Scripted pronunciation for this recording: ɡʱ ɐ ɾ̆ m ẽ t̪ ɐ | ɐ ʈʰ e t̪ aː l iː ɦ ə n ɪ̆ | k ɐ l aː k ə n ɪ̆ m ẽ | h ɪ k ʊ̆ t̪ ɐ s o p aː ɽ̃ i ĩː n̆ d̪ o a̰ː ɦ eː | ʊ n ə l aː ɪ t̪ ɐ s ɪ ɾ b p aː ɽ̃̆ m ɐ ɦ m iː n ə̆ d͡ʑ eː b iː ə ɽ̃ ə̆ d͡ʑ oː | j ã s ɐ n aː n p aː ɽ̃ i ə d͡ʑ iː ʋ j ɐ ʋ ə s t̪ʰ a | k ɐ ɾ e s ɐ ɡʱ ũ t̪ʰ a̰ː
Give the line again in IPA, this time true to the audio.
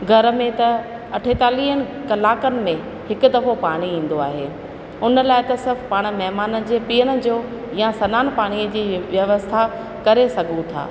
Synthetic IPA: ɡʱ ɐ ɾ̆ m ẽ t̪ ɐ | ɐ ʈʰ e t̪ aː l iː ɦ ə n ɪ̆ | k ɐ l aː k ə n ɪ̆ m ẽ | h ɪ k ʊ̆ d̪ ɐ f o p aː ɽ̃ i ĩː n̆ d̪ o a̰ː ɦ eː | ʊ n ə l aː ɪ t̪ ɐ s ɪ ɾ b p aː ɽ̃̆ m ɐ ɦ m aː n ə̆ d͡ʑ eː p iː ə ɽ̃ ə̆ d͡ʑ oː | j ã s ɐ n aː n p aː ɽ̃ i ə d͡ʑ iː ʋ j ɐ ʋ ə s t̪ʰ a | k ɐ ɾ e s ɐ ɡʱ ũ t̪ʰ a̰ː